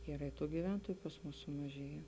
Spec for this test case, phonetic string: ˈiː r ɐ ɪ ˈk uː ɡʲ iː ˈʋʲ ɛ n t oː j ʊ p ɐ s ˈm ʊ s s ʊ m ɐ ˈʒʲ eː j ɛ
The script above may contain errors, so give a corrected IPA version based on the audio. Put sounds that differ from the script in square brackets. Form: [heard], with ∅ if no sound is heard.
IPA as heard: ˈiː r ɐ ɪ [ˈt] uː ɡʲ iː ˈʋʲ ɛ n t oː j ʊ p ɐ s ˈm ʊ s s ʊ m ɐ ˈʒʲ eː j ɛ